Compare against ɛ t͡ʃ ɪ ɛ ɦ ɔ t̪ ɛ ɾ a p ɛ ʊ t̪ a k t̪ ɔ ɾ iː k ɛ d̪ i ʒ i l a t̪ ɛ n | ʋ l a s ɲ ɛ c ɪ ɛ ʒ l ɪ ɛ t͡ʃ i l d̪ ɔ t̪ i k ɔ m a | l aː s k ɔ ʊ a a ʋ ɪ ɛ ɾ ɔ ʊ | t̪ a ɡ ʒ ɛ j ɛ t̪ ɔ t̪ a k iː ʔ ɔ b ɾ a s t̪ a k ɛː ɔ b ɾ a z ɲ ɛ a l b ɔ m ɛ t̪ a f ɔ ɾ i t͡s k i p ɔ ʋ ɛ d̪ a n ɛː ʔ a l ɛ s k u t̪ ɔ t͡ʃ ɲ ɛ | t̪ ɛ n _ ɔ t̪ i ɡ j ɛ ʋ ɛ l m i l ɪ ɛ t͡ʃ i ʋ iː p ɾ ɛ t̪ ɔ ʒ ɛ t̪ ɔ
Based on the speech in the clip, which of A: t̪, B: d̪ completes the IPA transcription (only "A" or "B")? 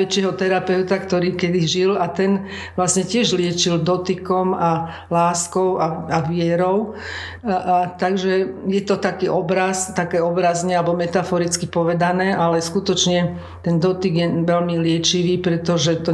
B